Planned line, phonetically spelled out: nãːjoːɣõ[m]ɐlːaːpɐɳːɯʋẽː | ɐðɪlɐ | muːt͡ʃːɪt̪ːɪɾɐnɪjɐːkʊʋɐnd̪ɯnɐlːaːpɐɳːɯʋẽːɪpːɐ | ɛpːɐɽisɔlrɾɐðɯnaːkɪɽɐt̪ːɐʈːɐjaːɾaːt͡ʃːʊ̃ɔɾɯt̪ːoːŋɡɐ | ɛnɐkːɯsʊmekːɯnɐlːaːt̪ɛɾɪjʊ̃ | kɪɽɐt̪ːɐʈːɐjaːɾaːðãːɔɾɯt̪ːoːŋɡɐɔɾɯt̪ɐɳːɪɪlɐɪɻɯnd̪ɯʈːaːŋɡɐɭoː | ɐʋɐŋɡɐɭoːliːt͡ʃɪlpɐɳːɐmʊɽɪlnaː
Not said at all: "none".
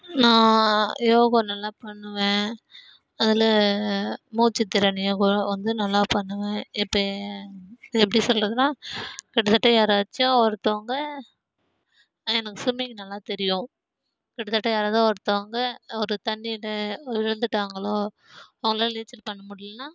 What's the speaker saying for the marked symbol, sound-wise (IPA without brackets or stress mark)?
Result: n